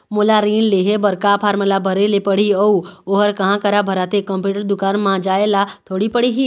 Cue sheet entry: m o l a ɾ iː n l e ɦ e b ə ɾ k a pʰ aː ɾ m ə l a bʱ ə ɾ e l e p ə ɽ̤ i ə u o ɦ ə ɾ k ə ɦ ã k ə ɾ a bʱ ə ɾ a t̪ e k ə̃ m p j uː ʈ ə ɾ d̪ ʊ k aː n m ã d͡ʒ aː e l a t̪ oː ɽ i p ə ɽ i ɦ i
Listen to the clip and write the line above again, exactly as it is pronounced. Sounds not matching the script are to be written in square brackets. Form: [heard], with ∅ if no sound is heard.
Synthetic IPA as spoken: m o l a ɾ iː n l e ɦ e b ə ɾ k a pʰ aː ɾ m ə l a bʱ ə ɾ e l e p ə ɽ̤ i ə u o ɦ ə ɾ k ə ɦ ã k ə ɾ a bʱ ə ɾ a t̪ e k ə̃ m p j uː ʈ ə ɾ d̪ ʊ k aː n m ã d͡ʒ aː e l a [t̪ʰ] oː ɽ i p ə ɽ i ɦ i